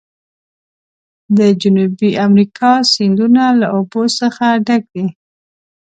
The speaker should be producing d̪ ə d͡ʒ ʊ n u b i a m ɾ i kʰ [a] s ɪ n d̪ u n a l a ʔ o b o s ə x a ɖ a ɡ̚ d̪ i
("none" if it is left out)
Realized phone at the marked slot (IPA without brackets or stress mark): ɑ